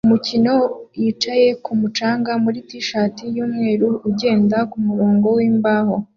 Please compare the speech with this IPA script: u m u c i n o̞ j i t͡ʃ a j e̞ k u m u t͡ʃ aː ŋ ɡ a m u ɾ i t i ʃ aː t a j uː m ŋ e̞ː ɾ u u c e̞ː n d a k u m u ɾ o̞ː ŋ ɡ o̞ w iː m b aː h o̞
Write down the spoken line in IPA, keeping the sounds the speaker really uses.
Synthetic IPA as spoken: u m u c i n o̞ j i t͡ʃ a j e̞ k u m u t͡ʃ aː ŋ ɡ a m u ɾ i t i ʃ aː t i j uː m ŋ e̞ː ɾ u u ɟ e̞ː n d a k u m u ɾ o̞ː ŋ ɡ o̞ w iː m b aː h o̞